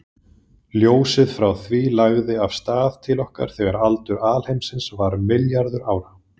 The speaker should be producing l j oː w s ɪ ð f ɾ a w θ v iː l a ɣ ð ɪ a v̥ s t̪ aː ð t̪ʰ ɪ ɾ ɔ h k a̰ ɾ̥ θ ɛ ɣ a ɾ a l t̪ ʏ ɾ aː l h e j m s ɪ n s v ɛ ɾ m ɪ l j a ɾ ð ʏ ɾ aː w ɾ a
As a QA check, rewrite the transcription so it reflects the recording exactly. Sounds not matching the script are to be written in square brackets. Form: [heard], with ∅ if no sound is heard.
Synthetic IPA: l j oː w s ɪ ð f ɾ a w θ v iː l a ɣ ð ɪ a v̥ s t̪ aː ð t̪ʰ ɪ [l] ɔ h k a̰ ɾ̥ θ ɛ ɣ a ɾ a l t̪ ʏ ɾ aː l h e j m s ɪ n s v [a] ɾ m ɪ l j a ɾ ð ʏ ɾ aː w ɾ a

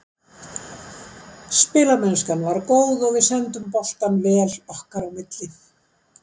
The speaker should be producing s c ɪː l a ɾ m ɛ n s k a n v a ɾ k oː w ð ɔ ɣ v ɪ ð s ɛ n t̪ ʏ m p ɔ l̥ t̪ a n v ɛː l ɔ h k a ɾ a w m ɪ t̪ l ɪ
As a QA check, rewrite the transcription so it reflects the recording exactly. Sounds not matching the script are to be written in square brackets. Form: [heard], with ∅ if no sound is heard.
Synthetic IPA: s [p] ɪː l a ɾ m ɛ n s k a n v a ɾ k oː w ð ɔ ɣ v ɪ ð s ɛ n t̪ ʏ m p ɔ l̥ t̪ a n v ɛː l ɔ h k a ɾ a w m ɪ t̪ l ɪ

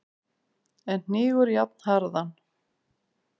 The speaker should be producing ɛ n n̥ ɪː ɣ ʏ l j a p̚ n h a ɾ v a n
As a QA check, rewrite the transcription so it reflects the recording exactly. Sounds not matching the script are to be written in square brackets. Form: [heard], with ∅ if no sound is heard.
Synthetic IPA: ɛ n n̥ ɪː ɣ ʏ [ɾ] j a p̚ n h a ɾ [ð] a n

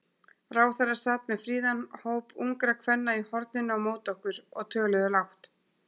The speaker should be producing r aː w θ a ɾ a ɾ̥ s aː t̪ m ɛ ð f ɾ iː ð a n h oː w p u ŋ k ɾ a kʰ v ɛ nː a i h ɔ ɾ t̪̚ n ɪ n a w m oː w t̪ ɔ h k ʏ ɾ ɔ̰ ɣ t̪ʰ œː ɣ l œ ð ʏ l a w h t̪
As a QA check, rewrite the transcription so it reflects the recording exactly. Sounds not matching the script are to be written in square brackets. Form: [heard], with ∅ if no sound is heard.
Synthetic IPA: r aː w θ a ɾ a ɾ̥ s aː t̪ m ɛ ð f ɾ iː ð a n h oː w p u ŋ k ɾ a kʰ v ɛ nː a i h ɔ ɾ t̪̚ n ɪ n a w m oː w t̪ ɔ h k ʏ ɾ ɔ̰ ɣ t̪ʰ œː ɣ l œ ð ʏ l a w h t̪

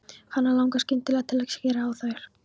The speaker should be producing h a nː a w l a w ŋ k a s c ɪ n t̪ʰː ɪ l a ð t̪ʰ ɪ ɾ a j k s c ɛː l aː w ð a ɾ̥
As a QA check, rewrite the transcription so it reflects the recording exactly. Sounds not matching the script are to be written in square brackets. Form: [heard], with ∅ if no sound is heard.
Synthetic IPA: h a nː a [∅] l a w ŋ k a s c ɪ n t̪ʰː ɪ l a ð t̪ʰ ɪ [l] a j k s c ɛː [ɾ] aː w [θ] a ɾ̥

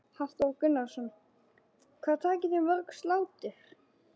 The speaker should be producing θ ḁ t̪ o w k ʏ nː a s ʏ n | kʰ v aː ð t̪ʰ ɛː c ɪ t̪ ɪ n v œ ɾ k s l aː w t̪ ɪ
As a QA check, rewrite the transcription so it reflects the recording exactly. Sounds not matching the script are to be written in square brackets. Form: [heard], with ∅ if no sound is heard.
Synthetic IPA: [h] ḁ t̪ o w k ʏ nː a s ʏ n | kʰ v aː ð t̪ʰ [aː] c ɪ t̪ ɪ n v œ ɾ k s l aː w t̪ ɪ

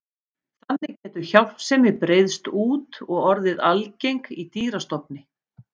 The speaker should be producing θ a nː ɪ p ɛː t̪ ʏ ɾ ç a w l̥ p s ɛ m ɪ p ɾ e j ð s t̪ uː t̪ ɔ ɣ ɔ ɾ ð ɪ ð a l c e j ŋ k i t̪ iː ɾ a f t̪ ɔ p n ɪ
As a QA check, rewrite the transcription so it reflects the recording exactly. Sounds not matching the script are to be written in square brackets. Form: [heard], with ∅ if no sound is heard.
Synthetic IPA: θ a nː ɪ [c] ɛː t̪ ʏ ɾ ç a w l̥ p s ɛ m ɪ p ɾ e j ð s t̪ uː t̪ ɔ ɣ ɔ ɾ ð ɪ ð a l c e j ŋ k i t̪ iː ɾ a [s] t̪ ɔ p n ɪ

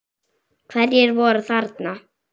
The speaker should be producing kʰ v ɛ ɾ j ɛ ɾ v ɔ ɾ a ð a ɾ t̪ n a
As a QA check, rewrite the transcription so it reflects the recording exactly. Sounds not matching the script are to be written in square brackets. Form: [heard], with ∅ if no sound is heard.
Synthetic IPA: kʰ v ɛ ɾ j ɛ ɾ v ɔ ɾ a [θ] a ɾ t̪ n a

